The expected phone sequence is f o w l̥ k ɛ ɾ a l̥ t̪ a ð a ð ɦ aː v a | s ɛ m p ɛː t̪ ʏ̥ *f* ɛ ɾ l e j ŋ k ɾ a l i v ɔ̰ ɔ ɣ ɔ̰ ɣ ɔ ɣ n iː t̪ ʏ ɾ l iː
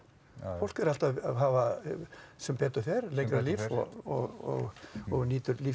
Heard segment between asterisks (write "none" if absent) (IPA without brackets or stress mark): θ